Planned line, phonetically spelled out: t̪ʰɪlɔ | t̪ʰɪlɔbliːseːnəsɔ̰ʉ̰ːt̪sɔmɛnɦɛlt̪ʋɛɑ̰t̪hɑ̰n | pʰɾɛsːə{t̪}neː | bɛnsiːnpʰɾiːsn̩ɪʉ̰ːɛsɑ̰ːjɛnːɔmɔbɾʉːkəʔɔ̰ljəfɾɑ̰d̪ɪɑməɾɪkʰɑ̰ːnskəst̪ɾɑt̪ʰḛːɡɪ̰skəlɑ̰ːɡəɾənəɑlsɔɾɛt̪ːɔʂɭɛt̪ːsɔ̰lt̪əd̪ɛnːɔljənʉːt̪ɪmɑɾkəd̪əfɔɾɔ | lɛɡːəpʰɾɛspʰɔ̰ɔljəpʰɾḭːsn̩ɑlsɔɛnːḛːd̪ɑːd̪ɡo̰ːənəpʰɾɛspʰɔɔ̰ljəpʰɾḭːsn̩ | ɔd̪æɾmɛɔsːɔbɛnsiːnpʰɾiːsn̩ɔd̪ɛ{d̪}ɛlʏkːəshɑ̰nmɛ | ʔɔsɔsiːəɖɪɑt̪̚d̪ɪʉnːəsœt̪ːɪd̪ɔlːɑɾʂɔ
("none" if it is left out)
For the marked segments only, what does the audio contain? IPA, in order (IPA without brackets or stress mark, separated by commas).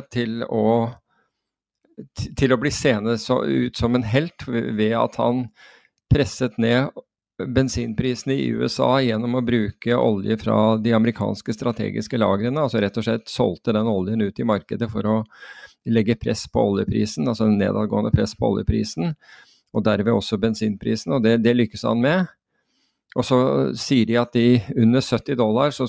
t̪, d̪